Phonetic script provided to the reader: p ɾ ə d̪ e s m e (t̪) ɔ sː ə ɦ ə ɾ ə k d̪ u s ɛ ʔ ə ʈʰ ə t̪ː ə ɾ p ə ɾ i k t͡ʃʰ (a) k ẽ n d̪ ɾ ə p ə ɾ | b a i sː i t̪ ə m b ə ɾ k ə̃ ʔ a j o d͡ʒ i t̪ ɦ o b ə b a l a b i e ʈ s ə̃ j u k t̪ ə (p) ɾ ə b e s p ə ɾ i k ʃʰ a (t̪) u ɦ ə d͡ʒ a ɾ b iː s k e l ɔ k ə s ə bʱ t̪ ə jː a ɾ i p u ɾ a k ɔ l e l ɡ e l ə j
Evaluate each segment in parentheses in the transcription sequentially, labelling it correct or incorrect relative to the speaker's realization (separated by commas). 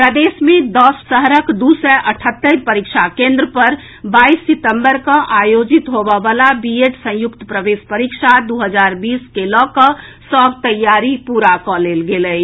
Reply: incorrect, correct, correct, incorrect